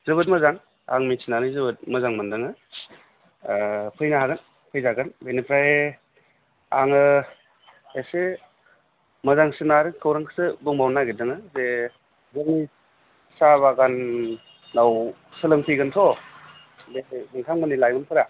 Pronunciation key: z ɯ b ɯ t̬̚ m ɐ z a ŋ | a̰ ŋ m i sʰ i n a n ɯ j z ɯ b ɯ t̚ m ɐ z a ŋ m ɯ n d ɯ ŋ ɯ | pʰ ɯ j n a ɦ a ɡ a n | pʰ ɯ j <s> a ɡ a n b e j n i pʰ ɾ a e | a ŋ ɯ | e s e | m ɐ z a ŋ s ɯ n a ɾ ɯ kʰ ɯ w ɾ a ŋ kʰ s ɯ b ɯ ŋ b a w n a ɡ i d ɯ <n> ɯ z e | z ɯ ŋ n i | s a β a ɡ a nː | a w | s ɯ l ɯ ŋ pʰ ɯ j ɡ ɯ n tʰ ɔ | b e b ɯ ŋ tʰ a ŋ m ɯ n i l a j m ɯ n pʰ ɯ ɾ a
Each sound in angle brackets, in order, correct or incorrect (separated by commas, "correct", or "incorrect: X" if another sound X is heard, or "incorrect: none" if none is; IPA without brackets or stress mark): incorrect: z, incorrect: ŋ